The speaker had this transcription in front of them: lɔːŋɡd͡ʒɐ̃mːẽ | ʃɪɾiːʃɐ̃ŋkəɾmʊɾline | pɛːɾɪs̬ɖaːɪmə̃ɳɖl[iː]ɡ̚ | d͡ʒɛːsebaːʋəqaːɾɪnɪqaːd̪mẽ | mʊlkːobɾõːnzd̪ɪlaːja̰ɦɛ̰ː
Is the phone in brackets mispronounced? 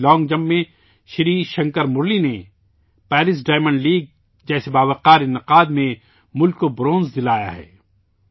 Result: no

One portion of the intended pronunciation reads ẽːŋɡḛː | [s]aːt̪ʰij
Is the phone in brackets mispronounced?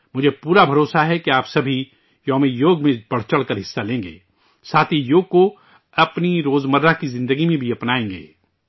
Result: no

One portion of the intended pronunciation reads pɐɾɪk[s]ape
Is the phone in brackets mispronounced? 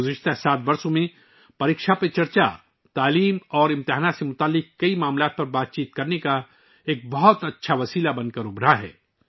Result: yes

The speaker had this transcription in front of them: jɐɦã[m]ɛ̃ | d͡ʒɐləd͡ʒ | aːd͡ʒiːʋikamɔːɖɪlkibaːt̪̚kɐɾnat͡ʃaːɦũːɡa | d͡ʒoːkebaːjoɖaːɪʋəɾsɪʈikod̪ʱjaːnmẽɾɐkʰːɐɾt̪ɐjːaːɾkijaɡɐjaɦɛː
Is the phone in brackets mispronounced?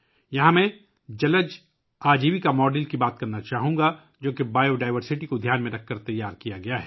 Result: no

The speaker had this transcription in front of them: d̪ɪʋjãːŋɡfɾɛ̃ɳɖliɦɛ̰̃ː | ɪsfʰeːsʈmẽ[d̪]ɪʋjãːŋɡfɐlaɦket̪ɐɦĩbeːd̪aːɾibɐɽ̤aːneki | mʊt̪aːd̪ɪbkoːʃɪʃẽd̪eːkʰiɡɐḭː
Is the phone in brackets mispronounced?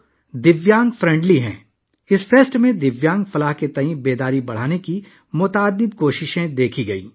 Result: no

